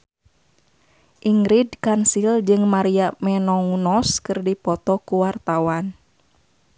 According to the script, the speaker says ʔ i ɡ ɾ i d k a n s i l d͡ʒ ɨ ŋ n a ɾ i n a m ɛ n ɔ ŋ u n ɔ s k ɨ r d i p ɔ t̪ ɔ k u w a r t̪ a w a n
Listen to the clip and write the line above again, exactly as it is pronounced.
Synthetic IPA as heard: ʔ i ŋ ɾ i d k a n s i l d͡ʒ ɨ ŋ m a ɾ i a m ɛ n ɔ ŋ u n ɔ s k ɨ r d i p ɔ t̪ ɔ k u w a r t̪ a w a n